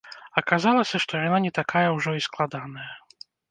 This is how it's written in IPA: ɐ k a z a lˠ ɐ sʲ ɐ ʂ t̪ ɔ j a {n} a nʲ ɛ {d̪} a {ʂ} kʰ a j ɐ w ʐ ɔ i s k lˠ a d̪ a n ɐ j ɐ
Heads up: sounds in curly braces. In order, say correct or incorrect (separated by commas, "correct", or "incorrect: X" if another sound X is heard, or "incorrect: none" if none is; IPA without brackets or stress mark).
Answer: correct, incorrect: t̪, incorrect: none